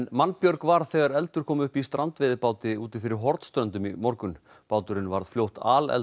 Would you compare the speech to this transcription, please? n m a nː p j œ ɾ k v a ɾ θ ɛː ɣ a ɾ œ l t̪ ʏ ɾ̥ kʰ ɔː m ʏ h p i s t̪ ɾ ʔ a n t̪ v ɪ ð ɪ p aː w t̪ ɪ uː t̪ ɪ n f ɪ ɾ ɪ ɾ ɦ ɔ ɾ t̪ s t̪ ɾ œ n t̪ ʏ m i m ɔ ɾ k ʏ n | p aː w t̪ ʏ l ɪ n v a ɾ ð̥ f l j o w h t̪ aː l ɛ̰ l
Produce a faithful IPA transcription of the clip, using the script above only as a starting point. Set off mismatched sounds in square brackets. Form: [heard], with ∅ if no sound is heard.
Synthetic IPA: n m a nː p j œ ɾ k v a ɾ θ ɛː ɣ a ɾ [ɛ] l t̪ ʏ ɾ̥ kʰ ɔː m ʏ h p i s t̪ ɾ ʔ a n t̪ v ɪ ð ɪ p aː w t̪ ɪ uː t̪ ɪ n f ɪ ɾ ɪ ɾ ɦ ɔ ɾ t̪ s t̪ ɾ œ n t̪ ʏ m i m ɔ ɾ k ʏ n | p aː w t̪ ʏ [ɾ] ɪ n v a ɾ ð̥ f l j o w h t̪ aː l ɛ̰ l